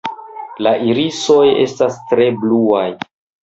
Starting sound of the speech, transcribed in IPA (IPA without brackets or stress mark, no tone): l